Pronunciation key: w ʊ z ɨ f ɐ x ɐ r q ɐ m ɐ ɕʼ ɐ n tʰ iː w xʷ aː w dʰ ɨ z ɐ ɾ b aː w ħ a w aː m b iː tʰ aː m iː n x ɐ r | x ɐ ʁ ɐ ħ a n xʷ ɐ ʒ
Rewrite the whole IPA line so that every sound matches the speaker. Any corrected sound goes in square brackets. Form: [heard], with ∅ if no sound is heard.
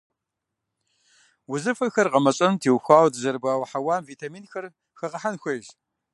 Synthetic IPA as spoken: w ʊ z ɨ f ɐ x ɐ r q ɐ m ɐ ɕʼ ɐ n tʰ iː w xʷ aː w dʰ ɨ z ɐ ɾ b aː w ħ a w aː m [v] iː tʰ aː m iː n x ɐ r | x ɐ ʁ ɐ ħ a n xʷ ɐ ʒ